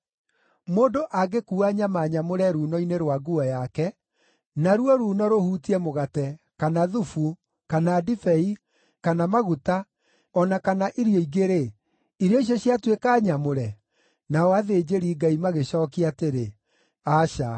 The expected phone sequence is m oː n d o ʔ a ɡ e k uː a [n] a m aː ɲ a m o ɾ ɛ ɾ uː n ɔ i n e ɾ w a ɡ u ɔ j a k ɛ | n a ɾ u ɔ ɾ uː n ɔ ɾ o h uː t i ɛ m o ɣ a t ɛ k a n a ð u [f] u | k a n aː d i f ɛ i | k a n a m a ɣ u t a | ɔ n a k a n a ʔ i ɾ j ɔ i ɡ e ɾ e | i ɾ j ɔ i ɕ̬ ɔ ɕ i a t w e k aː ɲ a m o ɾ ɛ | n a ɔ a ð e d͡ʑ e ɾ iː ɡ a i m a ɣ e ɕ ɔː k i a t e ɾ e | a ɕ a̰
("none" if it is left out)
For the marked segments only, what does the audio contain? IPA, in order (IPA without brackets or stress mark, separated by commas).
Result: ɲ, f